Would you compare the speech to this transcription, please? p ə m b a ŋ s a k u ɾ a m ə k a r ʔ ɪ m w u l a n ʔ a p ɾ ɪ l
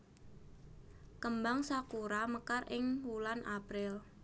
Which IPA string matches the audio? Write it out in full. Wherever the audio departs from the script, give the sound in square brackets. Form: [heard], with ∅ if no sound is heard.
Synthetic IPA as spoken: [k] ə m b a ŋ s a k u ɾ a m ə k a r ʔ ɪ [ŋ] w u l a n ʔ a p ɾ ɪ l